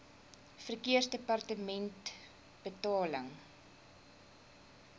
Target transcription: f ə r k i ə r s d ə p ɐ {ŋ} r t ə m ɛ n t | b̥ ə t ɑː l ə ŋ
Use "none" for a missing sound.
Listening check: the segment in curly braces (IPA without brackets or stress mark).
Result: none